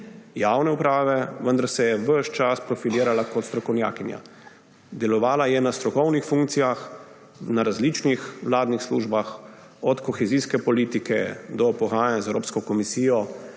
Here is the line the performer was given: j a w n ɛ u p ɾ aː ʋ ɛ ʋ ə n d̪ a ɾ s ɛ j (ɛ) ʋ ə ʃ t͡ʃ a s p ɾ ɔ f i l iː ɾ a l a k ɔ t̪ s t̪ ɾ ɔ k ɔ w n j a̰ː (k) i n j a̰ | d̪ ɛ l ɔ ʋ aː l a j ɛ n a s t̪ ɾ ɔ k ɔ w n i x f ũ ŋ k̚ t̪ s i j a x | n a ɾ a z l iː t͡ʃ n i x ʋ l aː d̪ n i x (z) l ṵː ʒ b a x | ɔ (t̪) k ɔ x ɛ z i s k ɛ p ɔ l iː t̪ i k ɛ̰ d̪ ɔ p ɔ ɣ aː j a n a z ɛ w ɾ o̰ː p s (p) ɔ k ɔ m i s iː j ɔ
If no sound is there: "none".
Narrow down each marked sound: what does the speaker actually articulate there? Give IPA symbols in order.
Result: ɛ, k, s, t̪, k

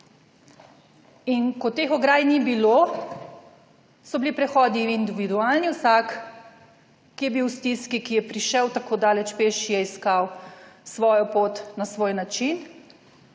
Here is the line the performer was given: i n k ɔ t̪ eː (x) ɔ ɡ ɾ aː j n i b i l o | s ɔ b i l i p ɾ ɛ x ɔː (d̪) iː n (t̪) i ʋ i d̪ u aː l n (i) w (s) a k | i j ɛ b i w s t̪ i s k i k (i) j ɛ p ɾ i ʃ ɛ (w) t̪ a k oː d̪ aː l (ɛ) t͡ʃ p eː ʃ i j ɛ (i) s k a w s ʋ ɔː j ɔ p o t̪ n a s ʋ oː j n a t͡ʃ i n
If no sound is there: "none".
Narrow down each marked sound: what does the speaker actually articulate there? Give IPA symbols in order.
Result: x, d̪, d̪, i, s, i, w, ɛ, i

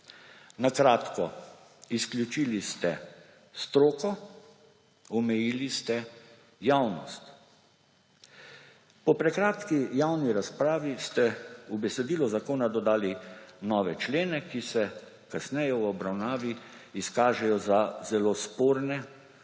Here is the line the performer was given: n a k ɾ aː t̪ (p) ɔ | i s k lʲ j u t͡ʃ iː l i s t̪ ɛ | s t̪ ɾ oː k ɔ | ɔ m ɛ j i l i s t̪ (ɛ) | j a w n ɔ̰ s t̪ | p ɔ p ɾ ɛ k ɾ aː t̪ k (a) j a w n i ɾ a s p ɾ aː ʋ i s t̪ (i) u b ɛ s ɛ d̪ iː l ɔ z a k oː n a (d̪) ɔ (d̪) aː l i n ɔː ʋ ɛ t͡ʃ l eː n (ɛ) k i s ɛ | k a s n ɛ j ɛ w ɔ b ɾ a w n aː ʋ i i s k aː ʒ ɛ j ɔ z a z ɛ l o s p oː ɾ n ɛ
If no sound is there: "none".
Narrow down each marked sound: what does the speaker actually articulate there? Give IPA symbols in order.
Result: k, ɛ, i, ɛ, d̪, d̪, ɛ

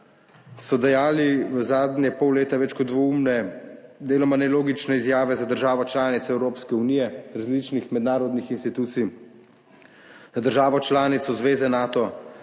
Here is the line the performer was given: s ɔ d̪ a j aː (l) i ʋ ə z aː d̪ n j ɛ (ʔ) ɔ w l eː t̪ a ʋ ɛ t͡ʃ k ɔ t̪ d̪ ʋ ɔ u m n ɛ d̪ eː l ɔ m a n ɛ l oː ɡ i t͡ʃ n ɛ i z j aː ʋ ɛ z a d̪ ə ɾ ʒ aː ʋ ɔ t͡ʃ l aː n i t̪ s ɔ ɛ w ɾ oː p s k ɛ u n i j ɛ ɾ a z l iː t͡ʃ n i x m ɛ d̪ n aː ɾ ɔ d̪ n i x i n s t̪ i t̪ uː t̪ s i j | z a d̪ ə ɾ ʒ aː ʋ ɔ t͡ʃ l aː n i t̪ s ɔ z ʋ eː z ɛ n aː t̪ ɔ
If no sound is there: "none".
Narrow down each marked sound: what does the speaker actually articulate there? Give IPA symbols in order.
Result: l, p

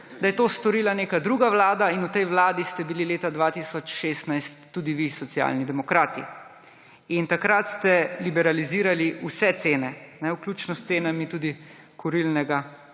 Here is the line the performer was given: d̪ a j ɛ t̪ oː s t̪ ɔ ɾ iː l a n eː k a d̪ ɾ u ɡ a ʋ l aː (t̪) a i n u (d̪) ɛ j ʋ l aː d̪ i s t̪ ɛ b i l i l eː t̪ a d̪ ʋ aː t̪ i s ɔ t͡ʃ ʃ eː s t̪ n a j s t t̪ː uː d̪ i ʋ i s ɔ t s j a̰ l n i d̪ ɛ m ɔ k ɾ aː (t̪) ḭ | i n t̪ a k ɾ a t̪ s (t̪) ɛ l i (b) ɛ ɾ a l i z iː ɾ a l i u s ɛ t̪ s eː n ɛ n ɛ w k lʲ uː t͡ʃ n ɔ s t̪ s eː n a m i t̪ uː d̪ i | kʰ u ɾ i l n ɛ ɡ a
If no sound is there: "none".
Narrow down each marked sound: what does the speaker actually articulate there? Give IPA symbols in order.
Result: d̪, t̪, t̪, t̪, b

